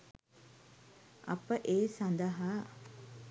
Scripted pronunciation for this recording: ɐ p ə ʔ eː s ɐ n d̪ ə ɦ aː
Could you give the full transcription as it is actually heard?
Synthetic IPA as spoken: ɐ p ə ʔ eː s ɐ n d̪ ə ɦ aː